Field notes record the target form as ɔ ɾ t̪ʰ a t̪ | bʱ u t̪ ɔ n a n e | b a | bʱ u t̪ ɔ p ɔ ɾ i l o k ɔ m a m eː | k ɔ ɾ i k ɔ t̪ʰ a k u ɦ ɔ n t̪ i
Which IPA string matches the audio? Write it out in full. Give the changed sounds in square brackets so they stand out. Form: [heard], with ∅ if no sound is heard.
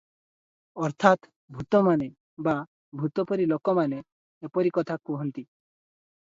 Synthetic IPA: ɔ ɾ t̪ʰ a t̪ | bʱ u t̪ ɔ [m] a n e | b a | bʱ u t̪ ɔ p ɔ ɾ i l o k ɔ m a [n] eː | [p] ɔ ɾ i k ɔ t̪ʰ a k u ɦ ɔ n t̪ i